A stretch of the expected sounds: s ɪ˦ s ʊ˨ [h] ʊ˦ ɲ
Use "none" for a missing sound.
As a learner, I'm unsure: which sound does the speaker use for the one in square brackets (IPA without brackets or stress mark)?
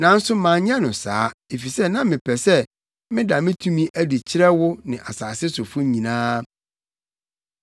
f